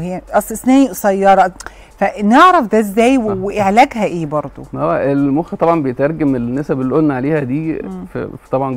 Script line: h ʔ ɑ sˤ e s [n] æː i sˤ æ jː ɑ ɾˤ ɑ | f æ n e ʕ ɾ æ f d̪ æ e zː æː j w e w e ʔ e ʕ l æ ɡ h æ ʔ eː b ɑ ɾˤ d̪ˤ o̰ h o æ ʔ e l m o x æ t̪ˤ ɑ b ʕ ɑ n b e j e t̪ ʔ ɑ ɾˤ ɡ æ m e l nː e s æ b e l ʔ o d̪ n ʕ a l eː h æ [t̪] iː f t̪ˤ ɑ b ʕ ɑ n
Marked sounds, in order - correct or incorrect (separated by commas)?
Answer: correct, incorrect